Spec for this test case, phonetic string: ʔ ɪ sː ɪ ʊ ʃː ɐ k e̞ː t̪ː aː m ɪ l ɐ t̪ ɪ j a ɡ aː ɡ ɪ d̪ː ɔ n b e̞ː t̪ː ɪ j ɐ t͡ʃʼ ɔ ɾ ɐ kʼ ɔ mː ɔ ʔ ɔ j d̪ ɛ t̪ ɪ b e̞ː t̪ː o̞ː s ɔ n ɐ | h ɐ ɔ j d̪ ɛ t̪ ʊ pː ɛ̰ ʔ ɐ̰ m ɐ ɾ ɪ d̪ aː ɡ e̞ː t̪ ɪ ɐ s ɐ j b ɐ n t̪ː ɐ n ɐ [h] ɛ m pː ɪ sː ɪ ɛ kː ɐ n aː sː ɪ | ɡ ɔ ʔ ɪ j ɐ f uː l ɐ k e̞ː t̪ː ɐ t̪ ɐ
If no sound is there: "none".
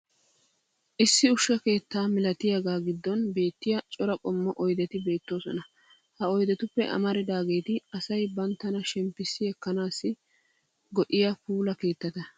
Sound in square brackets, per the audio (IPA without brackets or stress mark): ʃ